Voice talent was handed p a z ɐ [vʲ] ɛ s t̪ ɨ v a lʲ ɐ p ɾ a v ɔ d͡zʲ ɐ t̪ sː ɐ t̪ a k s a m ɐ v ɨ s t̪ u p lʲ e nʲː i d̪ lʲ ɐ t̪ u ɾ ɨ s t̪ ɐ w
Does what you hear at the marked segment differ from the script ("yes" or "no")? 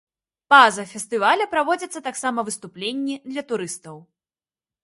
yes